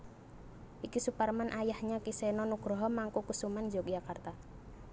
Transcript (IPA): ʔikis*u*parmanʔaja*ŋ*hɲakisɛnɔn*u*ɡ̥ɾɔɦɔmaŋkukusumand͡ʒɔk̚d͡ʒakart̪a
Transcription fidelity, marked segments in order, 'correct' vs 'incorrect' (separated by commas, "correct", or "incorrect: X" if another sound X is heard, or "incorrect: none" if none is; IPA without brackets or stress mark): correct, incorrect: none, correct